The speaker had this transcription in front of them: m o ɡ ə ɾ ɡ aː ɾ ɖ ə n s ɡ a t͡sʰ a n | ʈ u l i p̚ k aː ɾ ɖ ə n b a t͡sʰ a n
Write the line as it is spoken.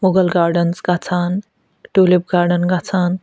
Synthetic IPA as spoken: m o ɡ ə l ɡ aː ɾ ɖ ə n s ɡ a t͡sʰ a n | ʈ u l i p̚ ɡ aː ɾ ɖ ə n ɡ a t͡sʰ a n